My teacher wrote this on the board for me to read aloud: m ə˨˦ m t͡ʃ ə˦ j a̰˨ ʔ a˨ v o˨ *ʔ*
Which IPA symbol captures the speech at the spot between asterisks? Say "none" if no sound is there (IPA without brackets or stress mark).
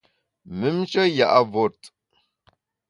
t